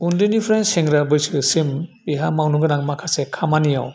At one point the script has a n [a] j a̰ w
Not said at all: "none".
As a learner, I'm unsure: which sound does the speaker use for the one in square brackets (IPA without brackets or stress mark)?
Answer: i